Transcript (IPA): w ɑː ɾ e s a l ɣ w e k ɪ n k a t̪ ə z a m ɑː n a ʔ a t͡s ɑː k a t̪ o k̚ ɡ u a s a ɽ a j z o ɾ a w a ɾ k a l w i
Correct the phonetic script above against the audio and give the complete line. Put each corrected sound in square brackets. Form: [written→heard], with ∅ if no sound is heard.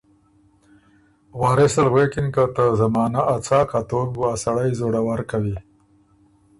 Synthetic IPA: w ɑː ɾ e s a l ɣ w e k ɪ n k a t̪ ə z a m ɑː n a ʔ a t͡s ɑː k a t̪ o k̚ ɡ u a s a ɽ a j z o [ɾ→ɽ] a w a ɾ k a [l→∅] w i